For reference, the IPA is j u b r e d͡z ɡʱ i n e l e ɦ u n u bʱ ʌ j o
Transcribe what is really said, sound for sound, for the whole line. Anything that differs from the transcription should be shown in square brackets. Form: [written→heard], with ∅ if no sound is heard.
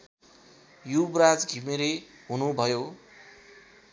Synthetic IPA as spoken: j u b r [e→a] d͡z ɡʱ i [n→m] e [l→ɾ] e ɦ u n u bʱ ʌ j o